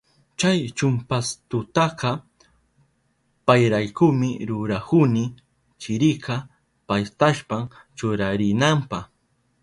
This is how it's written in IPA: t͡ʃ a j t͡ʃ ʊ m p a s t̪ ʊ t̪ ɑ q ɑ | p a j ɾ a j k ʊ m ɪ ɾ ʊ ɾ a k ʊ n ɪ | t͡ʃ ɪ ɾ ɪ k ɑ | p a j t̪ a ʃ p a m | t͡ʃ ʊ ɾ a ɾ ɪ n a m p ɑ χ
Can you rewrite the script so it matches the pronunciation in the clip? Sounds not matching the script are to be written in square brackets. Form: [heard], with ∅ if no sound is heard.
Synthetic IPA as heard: t͡ʃ a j t͡ʃ ʊ m p a s t̪ ʊ t̪ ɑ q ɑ | p a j ɾ a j k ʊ m ɪ ɾ ʊ ɾ a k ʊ n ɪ | t͡ʃ ɪ ɾ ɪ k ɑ | p a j t̪ a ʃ p a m | t͡ʃ ʊ ɾ a ɾ ɪ n a m p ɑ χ